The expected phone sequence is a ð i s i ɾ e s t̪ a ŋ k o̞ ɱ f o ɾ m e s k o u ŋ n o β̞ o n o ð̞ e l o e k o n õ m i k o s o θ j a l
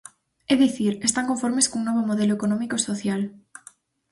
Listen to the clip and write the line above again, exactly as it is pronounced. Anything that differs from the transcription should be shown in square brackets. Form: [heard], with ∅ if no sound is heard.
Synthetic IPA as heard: [e] ð i [θ] i ɾ e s t̪ a ŋ k o̞ ɱ f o ɾ m e s k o u ŋ n o β̞ o [m] o ð̞ e l o e k o n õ m i k o s o θ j a l